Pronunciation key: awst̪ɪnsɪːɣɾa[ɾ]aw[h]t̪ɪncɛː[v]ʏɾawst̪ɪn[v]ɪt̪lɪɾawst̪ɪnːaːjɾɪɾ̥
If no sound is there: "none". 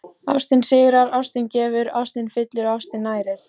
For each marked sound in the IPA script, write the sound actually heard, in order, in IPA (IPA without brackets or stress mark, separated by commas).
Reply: ɾ, s, v, f